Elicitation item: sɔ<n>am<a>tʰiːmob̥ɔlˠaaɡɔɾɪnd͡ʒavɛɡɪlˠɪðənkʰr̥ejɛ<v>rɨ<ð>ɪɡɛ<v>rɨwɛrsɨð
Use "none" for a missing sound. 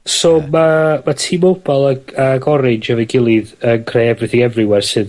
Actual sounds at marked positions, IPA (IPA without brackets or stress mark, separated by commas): m, a, v, θ, v